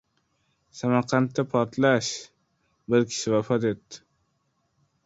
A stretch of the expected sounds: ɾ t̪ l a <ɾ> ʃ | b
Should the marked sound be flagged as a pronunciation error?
yes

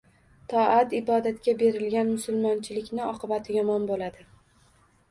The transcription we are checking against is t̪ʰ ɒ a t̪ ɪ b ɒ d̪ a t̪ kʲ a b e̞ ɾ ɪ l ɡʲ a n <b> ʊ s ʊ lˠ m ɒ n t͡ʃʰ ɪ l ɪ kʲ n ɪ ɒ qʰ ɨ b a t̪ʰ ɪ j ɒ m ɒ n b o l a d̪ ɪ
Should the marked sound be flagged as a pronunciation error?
yes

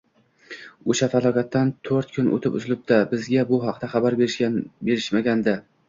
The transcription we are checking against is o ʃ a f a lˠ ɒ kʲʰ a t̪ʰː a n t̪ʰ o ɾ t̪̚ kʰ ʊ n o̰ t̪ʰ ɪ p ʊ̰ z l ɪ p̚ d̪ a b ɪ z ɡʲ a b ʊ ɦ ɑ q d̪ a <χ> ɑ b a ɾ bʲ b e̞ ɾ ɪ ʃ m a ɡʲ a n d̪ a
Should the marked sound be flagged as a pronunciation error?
no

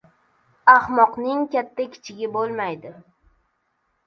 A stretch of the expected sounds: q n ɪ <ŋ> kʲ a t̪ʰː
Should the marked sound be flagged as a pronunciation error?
no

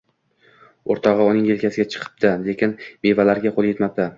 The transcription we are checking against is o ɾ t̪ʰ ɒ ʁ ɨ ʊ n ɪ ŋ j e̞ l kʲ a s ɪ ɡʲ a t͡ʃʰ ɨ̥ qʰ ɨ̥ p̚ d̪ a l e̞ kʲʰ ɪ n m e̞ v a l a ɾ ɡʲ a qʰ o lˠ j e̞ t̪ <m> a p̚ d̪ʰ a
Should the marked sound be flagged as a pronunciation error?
no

